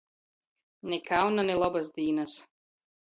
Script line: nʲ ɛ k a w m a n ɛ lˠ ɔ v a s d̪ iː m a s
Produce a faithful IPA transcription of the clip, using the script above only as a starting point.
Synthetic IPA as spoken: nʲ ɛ k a w n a n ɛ lˠ ɔ b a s d̪ iː n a s